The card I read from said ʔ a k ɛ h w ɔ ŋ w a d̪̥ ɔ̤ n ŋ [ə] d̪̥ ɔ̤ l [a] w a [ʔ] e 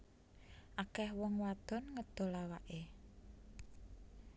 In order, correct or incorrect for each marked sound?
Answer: correct, correct, correct

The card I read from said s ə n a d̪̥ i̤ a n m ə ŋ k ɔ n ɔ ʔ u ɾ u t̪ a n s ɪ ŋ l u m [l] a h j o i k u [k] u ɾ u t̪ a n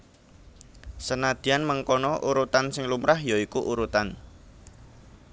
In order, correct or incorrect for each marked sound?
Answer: incorrect: ɾ, incorrect: ʔ

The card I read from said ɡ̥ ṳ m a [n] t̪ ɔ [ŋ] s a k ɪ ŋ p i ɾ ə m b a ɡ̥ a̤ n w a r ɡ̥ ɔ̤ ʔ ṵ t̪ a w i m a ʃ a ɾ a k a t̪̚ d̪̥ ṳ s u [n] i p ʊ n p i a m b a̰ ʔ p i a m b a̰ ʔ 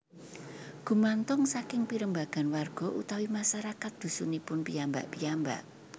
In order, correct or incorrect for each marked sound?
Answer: correct, correct, correct

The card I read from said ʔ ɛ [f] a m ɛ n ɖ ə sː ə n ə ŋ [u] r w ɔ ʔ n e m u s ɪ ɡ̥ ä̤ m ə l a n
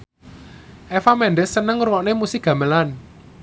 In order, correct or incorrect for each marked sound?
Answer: correct, correct

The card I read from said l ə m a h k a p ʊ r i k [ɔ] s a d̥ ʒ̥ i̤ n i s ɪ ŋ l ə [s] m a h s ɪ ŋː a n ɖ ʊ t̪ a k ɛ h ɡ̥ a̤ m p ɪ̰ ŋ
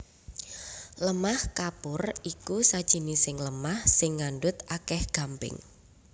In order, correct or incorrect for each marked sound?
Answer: incorrect: u, incorrect: none

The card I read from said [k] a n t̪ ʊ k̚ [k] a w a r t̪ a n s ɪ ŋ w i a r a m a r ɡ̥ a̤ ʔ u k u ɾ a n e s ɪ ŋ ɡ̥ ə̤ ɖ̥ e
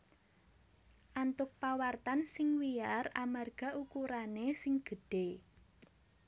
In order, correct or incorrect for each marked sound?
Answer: incorrect: ʔ, incorrect: p

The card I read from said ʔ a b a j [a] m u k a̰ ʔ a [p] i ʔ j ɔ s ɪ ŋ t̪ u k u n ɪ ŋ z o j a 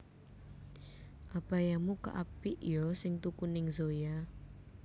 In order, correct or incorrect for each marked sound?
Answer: correct, correct

